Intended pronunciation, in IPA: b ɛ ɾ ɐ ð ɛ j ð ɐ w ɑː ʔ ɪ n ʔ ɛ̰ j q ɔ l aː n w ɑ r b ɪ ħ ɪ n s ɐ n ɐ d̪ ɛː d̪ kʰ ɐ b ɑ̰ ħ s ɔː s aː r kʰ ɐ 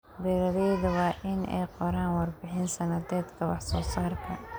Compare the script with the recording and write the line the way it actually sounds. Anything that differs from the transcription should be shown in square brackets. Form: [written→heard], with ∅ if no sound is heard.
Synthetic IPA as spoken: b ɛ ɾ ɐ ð ɛ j ð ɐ w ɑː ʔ ɪ n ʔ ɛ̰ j q ɔ [l→ɾ] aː n w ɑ r b ɪ ħ ɪ n s ɐ n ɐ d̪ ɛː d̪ kʰ ɐ [b→w] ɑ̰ ħ s ɔː s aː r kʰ ɐ